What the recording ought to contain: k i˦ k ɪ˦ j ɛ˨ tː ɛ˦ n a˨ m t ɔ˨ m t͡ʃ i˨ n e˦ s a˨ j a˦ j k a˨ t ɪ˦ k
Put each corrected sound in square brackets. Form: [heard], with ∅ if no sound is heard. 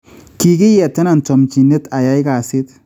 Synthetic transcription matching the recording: k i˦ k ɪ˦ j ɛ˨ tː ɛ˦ n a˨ [n] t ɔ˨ m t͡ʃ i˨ n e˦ [t] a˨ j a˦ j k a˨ [s] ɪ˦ [t]